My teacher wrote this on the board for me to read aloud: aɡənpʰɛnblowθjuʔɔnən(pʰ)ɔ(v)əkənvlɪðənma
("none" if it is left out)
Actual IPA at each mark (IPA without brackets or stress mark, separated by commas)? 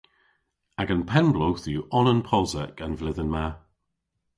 pʰ, z